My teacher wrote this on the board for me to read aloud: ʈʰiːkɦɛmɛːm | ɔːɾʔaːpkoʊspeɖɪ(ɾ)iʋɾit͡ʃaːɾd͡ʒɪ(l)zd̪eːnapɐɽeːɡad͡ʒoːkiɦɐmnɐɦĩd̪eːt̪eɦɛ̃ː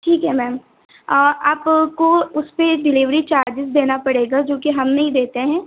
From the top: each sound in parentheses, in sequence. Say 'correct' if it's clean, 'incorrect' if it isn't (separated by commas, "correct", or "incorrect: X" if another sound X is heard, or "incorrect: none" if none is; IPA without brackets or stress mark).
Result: incorrect: l, incorrect: none